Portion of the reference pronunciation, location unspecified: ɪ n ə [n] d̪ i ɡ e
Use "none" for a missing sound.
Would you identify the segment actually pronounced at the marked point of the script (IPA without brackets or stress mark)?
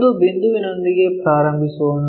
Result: n